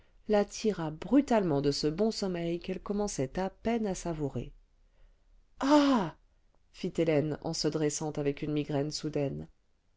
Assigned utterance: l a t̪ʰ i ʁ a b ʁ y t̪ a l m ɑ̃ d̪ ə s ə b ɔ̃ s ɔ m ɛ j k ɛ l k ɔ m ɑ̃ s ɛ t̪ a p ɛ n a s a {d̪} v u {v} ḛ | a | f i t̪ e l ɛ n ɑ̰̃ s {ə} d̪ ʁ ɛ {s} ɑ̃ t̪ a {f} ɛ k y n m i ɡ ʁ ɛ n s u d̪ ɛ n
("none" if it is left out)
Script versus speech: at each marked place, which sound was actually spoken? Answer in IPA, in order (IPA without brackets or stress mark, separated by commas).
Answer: none, ʁ, ə, s, v